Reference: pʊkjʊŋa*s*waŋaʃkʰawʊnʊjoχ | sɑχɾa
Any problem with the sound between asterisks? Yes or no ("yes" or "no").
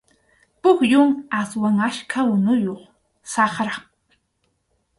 no